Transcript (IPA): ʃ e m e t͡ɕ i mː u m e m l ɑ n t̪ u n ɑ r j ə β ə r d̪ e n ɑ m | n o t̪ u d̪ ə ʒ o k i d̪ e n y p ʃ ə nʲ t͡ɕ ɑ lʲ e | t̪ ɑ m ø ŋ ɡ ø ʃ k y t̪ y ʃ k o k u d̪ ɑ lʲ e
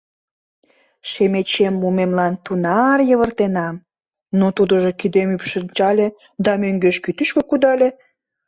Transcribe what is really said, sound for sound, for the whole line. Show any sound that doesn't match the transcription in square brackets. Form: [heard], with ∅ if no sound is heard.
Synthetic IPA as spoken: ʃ e m e t͡ɕ [e] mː u m e m l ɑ n t̪ u n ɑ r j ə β ə r [t̪] e n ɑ m | n o t̪ u d̪ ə ʒ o k i d̪ e [m] y p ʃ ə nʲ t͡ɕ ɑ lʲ e | [d̪] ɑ m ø ŋ ɡ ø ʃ k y t̪ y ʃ k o k u d̪ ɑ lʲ e